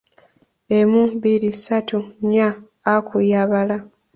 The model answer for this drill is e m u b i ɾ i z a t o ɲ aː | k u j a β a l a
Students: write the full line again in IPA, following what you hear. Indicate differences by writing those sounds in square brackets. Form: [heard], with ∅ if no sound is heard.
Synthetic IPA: e m u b i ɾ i [s] a t [u] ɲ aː | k u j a β a l a